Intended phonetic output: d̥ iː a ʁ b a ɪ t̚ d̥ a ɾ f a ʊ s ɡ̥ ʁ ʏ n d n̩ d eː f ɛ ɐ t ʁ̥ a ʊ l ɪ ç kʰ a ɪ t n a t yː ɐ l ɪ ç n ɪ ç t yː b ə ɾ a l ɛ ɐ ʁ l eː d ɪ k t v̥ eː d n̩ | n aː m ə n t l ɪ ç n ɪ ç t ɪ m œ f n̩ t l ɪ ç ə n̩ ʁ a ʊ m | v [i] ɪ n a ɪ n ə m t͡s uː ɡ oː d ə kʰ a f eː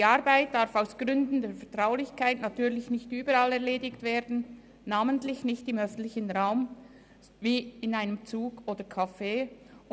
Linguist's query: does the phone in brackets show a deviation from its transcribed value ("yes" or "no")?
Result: yes